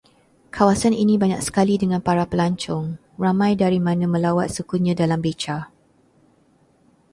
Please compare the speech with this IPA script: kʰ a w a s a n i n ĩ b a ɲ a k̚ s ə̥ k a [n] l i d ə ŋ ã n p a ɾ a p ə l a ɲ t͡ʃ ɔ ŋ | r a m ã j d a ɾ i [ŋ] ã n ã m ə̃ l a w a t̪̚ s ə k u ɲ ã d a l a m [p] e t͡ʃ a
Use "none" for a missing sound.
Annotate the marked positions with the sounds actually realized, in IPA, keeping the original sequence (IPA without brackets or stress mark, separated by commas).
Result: none, m, b